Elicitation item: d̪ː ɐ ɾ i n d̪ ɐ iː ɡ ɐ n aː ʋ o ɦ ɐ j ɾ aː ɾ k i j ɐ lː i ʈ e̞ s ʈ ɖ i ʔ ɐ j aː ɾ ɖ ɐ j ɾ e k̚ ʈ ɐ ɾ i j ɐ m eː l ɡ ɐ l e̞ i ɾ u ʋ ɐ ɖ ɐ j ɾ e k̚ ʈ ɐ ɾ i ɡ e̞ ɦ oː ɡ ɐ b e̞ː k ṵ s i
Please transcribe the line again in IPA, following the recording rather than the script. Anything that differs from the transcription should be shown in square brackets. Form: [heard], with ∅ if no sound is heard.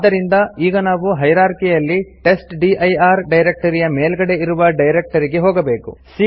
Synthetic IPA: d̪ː ɐ ɾ i n d̪ ɐ iː ɡ ɐ n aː ʋ [u] ɦ ɐ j ɾ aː ɾ k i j ɐ lː i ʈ e̞ s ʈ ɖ i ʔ ɐ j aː ɾ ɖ ɐ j ɾ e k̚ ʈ ɐ ɾ i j ɐ m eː l ɡ ɐ [ɽ] e̞ i ɾ u ʋ ɐ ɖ ɐ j ɾ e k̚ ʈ ɐ ɾ i ɡ e̞ ɦ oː ɡ ɐ b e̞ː k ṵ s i